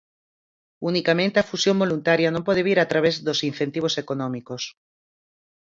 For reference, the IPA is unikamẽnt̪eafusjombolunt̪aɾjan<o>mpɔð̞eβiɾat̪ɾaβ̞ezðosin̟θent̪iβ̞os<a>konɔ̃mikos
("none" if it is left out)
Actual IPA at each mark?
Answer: õ, e

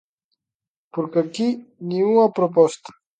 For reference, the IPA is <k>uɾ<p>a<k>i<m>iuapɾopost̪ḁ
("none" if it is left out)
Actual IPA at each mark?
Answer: p, k, k, n

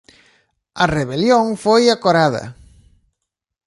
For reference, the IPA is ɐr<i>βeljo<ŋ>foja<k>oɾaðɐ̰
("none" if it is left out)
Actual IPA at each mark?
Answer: e, ŋ, k

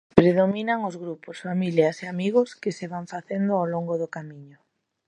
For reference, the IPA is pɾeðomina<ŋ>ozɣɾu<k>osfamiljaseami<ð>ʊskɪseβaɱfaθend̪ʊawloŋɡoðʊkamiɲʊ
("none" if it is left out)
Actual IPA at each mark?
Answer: ŋ, p, ɣ

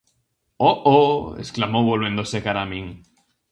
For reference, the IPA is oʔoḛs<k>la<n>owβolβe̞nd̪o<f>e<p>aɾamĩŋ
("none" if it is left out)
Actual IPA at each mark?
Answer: k, m, s, k

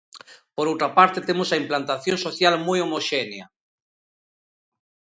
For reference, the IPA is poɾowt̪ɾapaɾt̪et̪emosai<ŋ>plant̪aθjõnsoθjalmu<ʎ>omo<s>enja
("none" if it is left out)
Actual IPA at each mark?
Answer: m, j, ʃ

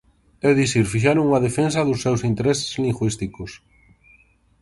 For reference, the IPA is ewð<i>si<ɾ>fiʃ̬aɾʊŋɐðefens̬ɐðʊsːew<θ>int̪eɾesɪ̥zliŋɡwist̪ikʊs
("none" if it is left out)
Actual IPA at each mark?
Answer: i, ɾ, s

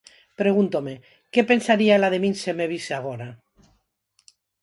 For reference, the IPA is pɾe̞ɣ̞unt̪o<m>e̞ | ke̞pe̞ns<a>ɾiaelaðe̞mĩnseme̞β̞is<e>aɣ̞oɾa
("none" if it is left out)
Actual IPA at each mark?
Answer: m, a, e

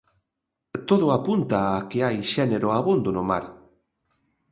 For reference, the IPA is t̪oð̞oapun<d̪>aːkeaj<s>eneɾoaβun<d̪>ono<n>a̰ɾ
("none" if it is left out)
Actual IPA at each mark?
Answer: t̪, ʃ, d̪, m

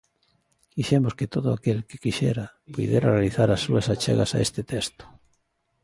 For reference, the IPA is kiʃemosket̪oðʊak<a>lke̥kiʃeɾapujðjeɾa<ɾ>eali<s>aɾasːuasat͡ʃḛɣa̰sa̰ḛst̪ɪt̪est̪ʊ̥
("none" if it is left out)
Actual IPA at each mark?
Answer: e, r, θ

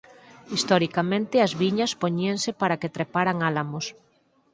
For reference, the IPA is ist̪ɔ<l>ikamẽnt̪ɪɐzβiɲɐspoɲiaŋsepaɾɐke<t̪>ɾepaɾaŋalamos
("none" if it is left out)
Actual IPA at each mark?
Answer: ɾ, t̪

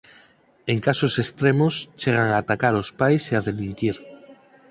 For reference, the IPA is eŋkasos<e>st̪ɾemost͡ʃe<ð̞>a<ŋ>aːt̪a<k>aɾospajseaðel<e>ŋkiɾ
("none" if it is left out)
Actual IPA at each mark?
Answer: e, ɣ̞, ŋ, k, i

